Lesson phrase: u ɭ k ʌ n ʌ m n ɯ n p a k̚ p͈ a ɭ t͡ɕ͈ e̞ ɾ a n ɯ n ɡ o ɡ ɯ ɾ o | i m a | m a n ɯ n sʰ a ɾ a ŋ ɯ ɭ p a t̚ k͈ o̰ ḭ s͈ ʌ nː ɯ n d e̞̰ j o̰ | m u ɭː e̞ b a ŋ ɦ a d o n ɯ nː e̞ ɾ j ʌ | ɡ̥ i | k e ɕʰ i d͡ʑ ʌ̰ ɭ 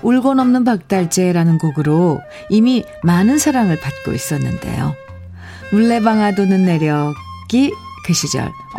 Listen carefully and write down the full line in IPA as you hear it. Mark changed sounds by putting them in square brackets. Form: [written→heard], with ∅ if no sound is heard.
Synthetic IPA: u ɭ [k→ɡ] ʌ n ʌ m n ɯ n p a k̚ [p͈→t͈] a ɭ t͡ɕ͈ e̞ ɾ a n ɯ n ɡ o ɡ ɯ ɾ o | i m [a→i] | m a n ɯ n sʰ a ɾ a ŋ ɯ ɭ p a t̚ k͈ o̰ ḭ s͈ ʌ nː ɯ n d e̞̰ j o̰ | m u ɭː e̞ b a ŋ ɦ a d o n ɯ nː e̞ ɾ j ʌ | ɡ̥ i | k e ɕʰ i d͡ʑ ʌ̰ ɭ